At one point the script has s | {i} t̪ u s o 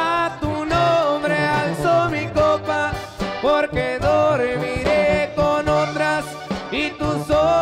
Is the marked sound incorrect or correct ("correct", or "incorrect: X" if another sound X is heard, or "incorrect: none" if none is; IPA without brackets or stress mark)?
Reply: correct